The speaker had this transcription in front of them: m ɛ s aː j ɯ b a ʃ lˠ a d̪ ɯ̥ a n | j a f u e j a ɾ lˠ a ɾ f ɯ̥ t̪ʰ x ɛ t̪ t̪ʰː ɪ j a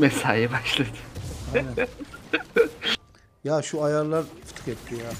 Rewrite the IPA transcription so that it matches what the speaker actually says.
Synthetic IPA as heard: m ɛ s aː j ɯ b a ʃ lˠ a d̪ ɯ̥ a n | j a ʃ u a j a ɾ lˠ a ɾ f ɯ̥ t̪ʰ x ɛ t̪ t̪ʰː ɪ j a